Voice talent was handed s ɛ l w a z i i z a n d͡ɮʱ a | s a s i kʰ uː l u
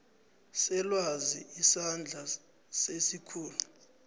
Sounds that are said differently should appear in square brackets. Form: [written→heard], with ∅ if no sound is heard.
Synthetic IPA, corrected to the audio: s ɛ l w a z i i [z→s] a n d͡ɮʱ a | s [a→e] s i kʰ uː l u